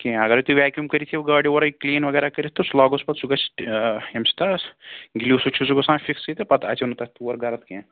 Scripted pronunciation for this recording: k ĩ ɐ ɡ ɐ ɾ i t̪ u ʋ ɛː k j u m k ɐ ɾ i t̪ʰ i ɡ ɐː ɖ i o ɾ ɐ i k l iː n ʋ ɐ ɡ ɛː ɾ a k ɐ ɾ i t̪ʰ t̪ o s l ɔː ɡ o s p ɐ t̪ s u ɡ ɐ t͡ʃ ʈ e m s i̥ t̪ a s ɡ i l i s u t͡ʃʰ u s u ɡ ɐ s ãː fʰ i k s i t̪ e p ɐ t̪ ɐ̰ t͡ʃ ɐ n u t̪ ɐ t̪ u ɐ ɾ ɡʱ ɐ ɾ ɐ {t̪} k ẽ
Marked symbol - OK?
yes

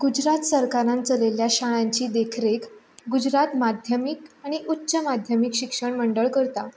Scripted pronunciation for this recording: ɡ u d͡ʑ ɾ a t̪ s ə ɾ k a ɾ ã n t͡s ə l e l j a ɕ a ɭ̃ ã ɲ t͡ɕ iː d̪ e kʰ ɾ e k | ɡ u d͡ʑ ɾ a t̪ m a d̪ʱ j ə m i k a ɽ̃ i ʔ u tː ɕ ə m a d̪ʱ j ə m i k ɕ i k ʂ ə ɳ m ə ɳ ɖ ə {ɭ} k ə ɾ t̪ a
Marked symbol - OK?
yes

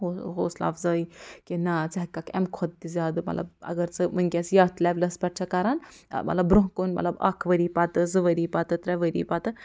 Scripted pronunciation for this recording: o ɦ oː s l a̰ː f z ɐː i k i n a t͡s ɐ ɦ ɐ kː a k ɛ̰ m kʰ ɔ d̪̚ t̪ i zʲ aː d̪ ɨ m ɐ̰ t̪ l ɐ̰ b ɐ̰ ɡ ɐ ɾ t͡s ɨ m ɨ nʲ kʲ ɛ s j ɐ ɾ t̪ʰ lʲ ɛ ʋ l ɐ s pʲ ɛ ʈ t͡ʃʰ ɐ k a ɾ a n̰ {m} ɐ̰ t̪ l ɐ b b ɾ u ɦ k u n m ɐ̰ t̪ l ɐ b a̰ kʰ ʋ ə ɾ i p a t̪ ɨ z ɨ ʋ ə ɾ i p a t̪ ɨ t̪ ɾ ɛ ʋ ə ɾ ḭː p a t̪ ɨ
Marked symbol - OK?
yes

